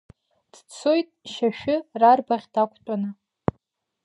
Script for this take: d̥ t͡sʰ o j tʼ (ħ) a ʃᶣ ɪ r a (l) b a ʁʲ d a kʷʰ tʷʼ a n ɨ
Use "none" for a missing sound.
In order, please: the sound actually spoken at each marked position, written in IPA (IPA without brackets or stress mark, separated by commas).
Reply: ʃ, r